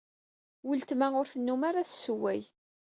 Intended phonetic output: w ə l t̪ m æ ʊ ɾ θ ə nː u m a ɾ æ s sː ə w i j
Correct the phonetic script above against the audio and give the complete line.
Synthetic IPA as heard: w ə l t̪ m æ ʊ ɾ θ ə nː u m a ɾ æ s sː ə w æ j